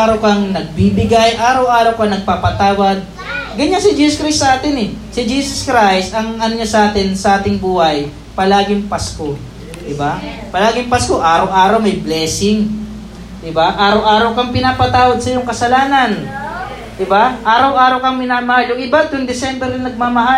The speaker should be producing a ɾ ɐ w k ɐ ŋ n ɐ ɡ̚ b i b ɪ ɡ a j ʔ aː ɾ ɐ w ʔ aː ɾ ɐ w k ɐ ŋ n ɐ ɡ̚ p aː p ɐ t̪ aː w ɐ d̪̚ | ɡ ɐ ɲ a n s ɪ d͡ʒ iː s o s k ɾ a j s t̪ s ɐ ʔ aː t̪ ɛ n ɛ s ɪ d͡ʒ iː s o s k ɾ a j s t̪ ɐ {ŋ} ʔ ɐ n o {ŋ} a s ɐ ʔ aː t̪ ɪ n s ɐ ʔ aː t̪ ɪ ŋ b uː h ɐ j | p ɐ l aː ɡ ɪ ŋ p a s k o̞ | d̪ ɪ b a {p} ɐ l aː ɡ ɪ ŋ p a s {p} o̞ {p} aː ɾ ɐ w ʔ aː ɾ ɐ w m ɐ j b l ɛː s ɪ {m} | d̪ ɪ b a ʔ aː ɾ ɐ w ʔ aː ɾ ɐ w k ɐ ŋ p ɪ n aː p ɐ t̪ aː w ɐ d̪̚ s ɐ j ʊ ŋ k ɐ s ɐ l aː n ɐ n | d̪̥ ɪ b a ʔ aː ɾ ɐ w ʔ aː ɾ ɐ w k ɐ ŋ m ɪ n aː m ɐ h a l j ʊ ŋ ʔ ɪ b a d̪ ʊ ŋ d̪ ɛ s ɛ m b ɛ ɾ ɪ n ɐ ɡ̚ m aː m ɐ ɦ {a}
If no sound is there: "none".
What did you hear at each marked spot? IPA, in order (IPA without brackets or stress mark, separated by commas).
ŋ, ɲ, p, k, ʔ, ŋ, a